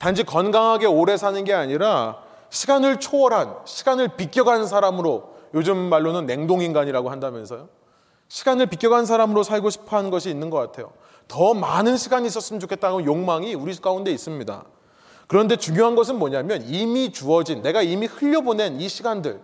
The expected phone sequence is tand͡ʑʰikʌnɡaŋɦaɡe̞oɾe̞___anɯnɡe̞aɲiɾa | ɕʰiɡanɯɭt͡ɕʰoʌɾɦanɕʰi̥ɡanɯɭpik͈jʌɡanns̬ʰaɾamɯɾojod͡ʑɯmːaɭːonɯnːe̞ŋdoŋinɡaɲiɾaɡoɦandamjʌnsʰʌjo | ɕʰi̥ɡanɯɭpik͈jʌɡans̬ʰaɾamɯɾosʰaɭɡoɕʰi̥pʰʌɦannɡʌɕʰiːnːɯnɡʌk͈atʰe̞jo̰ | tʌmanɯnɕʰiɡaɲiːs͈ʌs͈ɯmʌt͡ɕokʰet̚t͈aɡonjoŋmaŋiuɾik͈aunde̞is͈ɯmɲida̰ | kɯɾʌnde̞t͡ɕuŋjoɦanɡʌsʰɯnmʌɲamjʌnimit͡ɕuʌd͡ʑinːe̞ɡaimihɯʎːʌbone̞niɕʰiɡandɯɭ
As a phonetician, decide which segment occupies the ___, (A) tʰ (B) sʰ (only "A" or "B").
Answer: B